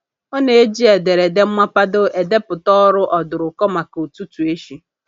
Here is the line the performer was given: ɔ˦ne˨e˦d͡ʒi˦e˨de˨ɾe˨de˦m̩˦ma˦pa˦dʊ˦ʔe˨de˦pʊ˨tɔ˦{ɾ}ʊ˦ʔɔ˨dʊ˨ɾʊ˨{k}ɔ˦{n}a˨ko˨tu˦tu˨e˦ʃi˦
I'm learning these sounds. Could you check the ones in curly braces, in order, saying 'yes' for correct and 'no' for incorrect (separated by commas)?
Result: yes, yes, no